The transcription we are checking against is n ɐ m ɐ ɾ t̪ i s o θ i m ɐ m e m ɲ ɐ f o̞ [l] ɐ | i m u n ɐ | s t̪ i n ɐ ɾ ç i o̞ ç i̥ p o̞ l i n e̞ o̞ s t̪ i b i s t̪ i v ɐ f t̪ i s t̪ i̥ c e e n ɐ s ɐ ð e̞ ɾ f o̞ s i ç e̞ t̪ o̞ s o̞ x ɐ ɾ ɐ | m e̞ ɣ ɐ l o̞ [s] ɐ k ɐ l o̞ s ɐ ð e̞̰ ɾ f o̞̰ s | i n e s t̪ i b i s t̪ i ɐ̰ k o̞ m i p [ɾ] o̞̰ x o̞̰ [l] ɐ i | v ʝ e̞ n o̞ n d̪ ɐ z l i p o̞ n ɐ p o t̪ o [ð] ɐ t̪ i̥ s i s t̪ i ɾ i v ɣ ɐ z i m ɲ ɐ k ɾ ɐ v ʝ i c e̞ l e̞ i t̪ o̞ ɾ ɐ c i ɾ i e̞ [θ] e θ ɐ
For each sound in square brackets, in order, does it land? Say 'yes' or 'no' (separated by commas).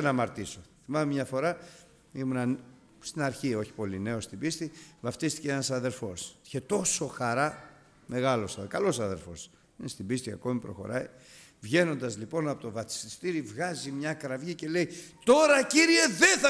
no, yes, yes, no, no, no